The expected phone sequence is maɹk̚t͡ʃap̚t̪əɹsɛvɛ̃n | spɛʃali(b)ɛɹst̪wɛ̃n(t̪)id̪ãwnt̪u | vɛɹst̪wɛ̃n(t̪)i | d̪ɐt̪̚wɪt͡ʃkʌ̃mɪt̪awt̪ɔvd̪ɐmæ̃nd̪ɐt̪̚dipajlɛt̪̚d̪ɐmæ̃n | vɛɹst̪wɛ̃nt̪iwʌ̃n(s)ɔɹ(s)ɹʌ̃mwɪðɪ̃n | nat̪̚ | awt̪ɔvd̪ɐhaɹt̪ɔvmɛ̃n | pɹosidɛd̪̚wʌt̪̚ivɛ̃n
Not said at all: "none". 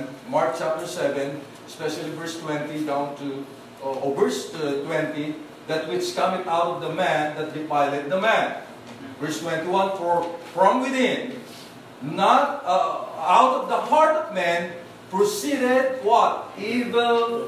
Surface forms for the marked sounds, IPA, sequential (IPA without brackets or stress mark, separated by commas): v, t̪, t̪, f, f